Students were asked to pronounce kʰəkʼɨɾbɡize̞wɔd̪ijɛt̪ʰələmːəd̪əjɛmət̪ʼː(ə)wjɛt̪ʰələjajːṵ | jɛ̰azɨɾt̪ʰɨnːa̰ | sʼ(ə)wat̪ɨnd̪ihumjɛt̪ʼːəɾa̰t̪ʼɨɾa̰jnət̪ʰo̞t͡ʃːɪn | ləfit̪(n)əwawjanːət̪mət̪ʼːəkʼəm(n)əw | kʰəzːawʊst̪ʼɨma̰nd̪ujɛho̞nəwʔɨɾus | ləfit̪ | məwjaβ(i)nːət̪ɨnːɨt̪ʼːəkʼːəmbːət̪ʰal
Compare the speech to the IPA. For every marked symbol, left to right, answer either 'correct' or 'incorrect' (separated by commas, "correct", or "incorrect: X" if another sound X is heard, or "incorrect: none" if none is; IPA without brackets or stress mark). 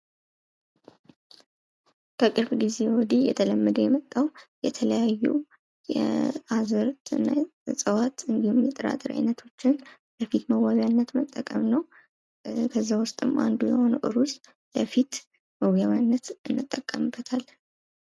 incorrect: a, correct, incorrect: m, correct, incorrect: a